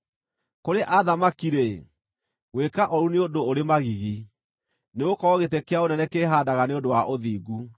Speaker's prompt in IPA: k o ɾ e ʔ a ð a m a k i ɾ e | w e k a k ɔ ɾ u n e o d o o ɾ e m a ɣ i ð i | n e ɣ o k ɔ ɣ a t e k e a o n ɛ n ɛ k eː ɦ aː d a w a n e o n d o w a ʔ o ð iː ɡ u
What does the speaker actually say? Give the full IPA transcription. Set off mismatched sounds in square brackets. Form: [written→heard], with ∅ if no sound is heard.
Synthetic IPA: k o ɾ e ʔ a ð a m a k i ɾ e | w e k a [k→ʔ] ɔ ɾ u n e o d o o ɾ e m a ɣ i [ð→ɣ] i | n e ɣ o k ɔ ɣ [a→e] t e k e a o n ɛ n ɛ k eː ɦ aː d a [w→ɣ] a n e o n d o w a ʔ o ð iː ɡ u